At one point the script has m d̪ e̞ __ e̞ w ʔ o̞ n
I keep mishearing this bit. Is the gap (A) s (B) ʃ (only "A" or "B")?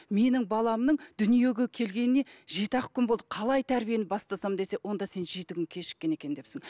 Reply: A